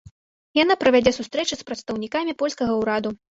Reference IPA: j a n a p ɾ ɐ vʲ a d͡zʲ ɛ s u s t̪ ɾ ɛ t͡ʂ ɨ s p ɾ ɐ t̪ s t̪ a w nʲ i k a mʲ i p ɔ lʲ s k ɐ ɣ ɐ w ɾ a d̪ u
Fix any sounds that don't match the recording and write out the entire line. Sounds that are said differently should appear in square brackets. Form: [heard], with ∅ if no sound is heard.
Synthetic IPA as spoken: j a n a p ɾ ɐ vʲ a d͡zʲ ɛ s u s t̪ ɾ ɛ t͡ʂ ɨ s p ɾ ɐ t̪ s t̪ [ɐ] w nʲ i k a mʲ i p ɔ lʲ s k ɐ ɣ ɐ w ɾ a d̪ u